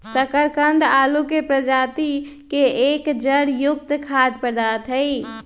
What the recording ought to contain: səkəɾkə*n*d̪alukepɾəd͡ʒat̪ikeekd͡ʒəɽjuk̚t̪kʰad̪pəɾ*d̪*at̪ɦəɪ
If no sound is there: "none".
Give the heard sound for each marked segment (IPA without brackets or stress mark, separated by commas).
n, d̪